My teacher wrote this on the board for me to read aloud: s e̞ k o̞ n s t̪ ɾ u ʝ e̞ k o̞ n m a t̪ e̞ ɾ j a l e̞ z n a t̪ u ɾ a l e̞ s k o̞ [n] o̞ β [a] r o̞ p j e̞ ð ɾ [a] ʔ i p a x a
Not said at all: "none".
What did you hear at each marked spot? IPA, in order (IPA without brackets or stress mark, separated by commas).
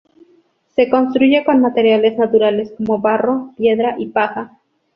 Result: m, a, a